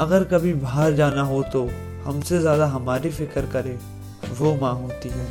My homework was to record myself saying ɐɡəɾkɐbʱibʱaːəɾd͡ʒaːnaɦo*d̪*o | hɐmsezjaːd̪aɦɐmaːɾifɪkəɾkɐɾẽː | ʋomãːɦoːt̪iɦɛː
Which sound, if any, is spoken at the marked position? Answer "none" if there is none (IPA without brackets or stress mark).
t̪